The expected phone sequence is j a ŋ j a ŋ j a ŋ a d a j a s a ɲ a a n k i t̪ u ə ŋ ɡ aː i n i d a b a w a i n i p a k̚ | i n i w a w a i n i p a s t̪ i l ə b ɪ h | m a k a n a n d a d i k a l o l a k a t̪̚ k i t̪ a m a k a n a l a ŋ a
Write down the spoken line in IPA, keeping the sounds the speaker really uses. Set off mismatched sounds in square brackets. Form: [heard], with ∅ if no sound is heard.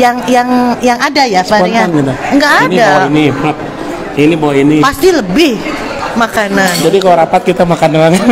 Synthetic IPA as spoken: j a ŋ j a ŋ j a ŋ a d a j a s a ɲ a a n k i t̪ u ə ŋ ɡ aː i n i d a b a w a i n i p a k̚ | i n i [b] a w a i n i p a s t̪ i l ə b ɪ h | m a k a n a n [d͡ʒ] a d i k a l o [ɾ] a [p] a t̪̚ k i t̪ a m a k a n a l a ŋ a